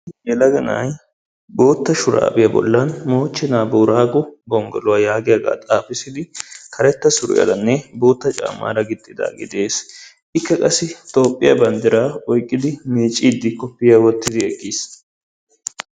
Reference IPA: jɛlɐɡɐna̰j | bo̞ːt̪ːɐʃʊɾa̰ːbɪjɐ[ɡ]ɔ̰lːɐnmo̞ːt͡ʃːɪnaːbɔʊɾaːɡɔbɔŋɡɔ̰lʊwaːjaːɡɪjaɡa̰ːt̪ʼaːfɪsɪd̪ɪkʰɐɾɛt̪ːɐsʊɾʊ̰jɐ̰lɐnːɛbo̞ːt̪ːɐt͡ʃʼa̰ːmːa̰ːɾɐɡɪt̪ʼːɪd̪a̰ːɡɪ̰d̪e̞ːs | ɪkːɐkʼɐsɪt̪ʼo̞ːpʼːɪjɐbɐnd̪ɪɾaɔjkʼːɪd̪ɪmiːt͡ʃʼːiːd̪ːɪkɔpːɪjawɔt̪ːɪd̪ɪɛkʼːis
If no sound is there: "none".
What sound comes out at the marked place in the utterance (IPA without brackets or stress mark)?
b